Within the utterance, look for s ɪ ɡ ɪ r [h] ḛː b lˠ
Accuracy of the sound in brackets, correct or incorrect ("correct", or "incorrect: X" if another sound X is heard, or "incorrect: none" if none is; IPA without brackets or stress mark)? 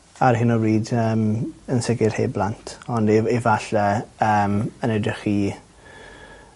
correct